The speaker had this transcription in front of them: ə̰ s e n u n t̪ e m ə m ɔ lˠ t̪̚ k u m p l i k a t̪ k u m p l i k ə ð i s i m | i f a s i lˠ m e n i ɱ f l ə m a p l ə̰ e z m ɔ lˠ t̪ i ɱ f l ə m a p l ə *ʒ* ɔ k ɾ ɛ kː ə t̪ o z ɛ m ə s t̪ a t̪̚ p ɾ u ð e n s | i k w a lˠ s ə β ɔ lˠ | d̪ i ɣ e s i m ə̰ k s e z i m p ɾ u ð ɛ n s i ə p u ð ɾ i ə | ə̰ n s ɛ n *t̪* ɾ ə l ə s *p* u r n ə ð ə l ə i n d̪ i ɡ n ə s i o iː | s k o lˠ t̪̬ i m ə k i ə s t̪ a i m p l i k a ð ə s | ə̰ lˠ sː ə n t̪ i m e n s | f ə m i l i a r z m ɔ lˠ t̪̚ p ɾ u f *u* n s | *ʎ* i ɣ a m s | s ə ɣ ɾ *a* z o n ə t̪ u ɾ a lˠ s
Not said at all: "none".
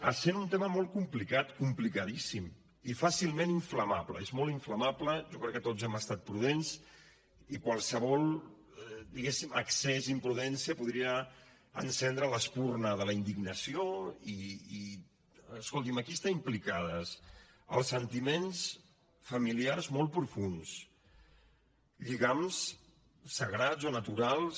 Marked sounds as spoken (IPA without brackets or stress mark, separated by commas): ʒ, d̪, p, u, ʎ, a